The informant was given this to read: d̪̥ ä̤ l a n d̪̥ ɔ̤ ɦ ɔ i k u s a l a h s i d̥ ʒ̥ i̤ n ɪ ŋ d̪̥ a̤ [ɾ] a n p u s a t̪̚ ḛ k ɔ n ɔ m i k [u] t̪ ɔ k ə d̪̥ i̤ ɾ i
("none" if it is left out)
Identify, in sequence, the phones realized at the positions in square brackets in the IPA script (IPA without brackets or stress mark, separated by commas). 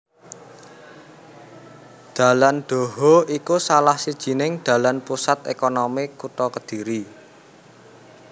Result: l, u